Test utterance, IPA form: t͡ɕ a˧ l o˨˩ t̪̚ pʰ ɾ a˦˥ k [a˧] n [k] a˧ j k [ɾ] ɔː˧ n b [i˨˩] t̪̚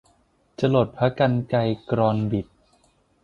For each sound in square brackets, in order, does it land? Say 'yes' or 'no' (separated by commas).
yes, yes, yes, yes